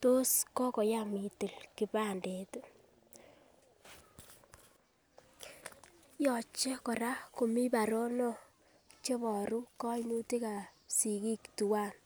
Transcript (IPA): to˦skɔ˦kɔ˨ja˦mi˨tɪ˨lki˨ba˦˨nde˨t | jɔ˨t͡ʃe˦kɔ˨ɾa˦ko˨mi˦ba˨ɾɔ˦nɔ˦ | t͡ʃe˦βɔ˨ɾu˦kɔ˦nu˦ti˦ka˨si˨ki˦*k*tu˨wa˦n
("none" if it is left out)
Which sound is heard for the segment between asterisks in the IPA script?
k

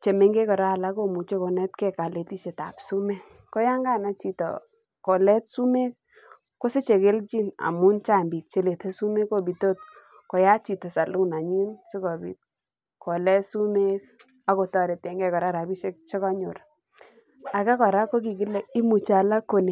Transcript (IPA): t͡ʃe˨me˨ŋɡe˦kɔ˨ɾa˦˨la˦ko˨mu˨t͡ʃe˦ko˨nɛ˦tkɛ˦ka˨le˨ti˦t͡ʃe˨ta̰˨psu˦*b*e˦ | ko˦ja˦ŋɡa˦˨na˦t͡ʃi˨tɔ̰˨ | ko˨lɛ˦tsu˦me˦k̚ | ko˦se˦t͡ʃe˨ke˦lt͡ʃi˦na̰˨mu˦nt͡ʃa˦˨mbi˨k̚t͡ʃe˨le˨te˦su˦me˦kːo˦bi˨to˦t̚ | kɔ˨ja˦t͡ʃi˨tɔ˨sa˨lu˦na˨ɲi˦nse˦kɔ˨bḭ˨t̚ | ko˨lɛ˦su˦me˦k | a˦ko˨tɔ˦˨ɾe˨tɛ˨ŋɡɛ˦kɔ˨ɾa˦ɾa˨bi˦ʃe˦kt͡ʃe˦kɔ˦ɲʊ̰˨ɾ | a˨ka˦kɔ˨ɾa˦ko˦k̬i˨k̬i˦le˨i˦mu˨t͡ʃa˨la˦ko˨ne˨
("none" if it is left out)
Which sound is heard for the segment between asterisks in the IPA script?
m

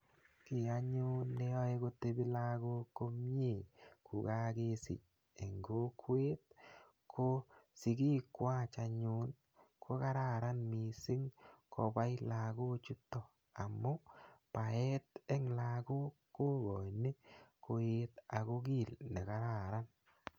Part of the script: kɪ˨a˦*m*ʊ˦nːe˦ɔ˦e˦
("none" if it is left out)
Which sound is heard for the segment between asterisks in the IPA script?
ɲ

